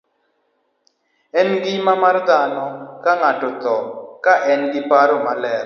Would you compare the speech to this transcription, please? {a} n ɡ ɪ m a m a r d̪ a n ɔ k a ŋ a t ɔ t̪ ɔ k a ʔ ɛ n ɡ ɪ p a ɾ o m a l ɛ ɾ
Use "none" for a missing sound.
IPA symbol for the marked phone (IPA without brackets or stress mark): ɛ